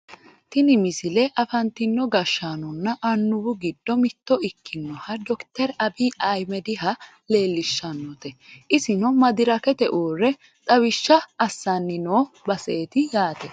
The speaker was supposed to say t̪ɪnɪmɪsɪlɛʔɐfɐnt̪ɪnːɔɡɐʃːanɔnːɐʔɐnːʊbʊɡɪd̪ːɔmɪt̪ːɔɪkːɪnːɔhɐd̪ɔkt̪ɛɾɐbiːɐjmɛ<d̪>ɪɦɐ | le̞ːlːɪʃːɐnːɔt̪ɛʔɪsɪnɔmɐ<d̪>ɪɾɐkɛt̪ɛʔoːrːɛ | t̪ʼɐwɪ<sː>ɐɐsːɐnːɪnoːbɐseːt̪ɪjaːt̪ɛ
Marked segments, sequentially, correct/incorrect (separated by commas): correct, correct, incorrect